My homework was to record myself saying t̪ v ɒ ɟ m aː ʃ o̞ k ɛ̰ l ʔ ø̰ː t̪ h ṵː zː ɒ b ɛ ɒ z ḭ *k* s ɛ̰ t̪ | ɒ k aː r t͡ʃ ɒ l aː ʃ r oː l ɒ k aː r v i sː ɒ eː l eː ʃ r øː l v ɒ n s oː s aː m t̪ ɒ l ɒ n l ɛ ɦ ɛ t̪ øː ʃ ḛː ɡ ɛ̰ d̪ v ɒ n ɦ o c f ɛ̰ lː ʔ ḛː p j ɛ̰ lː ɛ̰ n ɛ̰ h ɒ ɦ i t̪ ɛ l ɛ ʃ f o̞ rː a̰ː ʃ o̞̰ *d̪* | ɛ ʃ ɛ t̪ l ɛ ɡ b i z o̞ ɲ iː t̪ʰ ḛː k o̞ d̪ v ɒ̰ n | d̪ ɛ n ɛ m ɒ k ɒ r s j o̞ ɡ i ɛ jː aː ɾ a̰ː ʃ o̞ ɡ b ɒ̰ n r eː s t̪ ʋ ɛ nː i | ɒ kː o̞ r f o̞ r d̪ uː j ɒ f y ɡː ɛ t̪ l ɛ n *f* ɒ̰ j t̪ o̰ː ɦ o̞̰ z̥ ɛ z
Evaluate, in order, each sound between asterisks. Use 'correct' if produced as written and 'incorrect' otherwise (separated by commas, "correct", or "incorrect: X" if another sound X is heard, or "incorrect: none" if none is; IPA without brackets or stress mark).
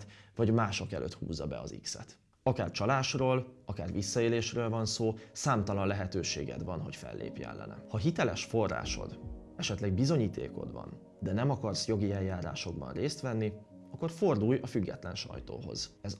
correct, correct, incorrect: ʃ